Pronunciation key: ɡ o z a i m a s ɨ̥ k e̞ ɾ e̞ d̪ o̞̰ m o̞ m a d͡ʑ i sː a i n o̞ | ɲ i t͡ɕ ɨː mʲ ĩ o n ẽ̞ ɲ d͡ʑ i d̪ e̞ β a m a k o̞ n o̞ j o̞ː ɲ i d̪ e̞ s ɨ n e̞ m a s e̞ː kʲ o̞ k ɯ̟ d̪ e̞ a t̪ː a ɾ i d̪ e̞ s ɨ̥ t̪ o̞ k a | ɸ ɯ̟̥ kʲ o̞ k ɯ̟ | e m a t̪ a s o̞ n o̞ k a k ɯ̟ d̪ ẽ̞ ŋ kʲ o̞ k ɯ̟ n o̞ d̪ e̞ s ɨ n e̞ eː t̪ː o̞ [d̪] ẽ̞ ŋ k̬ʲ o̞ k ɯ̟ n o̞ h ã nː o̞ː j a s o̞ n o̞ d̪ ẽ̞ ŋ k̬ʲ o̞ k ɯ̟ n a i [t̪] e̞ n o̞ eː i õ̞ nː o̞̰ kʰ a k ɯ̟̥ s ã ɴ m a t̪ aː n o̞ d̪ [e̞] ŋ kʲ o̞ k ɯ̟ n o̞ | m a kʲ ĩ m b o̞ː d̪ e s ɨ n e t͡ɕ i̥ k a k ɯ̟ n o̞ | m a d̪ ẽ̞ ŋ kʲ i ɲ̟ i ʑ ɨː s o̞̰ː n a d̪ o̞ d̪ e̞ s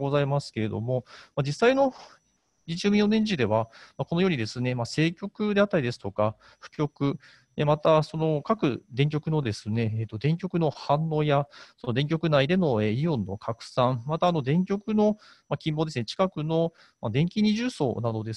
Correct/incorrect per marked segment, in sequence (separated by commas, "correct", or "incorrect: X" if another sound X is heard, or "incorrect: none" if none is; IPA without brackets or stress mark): correct, incorrect: d̪, incorrect: ẽ̞